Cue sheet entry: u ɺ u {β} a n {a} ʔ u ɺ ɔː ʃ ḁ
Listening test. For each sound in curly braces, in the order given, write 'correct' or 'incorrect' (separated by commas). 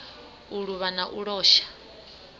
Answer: correct, correct